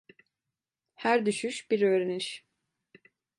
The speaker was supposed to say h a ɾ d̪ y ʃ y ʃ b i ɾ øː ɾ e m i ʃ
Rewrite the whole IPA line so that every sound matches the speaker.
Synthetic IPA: h æ ɾ d̪ y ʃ y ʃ b i ɾ øː ɾ e n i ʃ